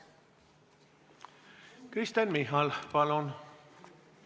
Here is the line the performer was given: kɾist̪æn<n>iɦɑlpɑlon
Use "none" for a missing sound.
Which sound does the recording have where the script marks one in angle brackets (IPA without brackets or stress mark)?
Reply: m